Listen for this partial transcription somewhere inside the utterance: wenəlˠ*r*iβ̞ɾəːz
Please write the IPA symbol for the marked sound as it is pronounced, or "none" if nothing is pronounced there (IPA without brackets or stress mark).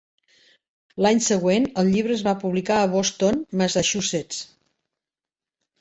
ʎ